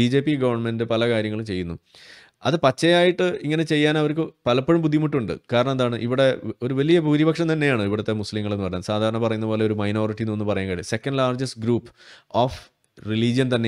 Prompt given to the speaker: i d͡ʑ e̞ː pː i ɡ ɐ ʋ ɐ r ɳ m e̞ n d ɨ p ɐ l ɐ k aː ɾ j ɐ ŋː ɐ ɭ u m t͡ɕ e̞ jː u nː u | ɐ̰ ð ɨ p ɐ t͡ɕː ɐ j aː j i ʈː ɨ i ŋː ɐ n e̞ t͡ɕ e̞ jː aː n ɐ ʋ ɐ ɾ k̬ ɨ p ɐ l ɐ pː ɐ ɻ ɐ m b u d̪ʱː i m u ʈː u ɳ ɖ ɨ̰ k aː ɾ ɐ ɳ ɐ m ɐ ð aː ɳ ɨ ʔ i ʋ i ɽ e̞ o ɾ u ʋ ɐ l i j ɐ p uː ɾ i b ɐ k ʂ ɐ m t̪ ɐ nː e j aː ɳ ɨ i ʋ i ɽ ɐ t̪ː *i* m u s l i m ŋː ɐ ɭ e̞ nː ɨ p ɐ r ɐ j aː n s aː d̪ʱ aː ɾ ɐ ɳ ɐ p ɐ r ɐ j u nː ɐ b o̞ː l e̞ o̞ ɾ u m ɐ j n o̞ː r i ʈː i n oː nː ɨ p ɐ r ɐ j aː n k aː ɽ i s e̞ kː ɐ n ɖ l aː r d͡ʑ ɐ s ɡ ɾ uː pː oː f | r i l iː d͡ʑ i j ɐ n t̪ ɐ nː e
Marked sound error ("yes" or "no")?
yes